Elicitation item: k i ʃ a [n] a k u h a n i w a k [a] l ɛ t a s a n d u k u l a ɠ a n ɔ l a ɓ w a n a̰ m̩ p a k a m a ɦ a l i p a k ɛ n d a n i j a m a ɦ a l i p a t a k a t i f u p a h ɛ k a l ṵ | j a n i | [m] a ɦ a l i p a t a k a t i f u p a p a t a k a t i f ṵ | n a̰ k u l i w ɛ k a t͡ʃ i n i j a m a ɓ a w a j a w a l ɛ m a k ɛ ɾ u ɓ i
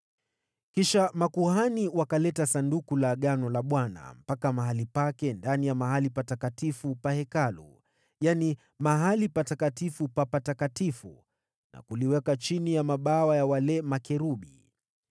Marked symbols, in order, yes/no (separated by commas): no, yes, yes